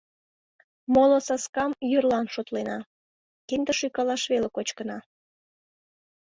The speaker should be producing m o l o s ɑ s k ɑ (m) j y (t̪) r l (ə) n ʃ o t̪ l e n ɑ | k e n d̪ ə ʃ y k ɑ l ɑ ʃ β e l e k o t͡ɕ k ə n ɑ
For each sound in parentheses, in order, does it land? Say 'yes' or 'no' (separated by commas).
yes, no, no